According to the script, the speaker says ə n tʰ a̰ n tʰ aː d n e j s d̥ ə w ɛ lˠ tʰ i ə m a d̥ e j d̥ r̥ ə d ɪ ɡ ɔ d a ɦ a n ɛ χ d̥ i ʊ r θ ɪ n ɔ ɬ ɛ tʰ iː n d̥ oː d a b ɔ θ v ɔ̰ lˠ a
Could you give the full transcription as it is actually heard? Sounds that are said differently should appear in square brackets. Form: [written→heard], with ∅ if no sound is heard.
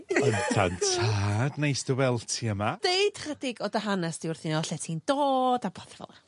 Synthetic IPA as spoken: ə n tʰ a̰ n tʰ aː d n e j s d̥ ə w ɛ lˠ tʰ i ə m a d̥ e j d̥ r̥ ə d ɪ ɡ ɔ d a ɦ a n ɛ [χ→s] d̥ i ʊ r θ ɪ n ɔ ɬ ɛ tʰ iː n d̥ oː d a b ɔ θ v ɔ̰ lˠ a